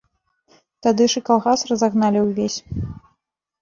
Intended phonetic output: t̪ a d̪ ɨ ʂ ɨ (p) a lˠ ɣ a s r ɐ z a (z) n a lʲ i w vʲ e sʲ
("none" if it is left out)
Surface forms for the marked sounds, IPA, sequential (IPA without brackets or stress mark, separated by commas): k, ɣ